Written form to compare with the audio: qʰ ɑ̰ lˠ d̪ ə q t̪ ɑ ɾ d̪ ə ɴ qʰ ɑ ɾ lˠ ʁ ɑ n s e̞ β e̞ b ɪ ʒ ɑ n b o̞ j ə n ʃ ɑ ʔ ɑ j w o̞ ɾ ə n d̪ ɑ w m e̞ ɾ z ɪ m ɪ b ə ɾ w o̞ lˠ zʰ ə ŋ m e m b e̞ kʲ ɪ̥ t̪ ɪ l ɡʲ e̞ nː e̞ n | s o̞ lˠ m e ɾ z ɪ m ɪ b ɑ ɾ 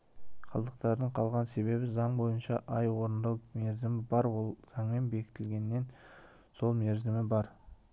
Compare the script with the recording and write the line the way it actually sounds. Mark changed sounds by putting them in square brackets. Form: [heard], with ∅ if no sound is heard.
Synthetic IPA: qʰ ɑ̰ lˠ d̪ ə q t̪ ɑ ɾ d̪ ə ɴ qʰ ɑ [∅] lˠ ʁ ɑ n s e̞ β e̞ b ɪ [z] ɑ [ɴ] b o̞ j ə n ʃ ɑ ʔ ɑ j w o̞ ɾ ə n d̪ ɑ w m e̞ ɾ z ɪ m ɪ b [ɑ] ɾ w o̞ lˠ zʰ [ɑ] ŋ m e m b e̞ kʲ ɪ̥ t̪ ɪ l ɡʲ e̞ nː e̞ n | s o̞ lˠ m e ɾ z ɪ m ɪ b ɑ ɾ